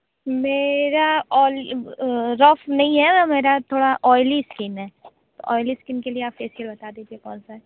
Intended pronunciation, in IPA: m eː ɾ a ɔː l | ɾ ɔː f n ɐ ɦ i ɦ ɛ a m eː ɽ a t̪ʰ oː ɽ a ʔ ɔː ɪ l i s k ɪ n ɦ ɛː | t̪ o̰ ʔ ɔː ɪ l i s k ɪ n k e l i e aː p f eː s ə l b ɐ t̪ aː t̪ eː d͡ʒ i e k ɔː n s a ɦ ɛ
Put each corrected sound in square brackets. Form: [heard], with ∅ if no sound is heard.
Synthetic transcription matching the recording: m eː ɾ a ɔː l | ɾ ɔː f n ɐ ɦ [ĩ] ɦ ɛ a m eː [ɾ] a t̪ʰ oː ɽ a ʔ ɔː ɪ l i s k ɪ n ɦ ɛː | t̪ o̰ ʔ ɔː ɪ l i s k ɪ n k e l i e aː p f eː s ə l b ɐ t̪ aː [d̪] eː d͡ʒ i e k ɔː n s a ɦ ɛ